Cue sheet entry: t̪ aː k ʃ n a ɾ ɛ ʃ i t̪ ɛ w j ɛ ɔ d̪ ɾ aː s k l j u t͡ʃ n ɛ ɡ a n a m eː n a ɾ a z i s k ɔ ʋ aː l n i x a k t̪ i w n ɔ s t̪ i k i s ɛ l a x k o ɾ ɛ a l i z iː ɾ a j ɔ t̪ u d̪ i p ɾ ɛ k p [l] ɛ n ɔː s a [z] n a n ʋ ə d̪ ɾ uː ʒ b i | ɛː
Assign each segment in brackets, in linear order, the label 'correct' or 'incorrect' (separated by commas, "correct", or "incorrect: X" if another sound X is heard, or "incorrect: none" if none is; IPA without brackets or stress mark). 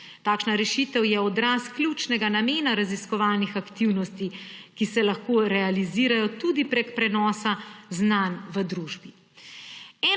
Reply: incorrect: ɾ, correct